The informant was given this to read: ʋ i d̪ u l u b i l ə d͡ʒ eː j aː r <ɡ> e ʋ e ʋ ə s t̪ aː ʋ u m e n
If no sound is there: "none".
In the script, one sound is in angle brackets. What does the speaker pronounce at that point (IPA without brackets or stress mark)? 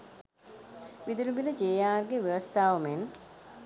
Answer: ɡ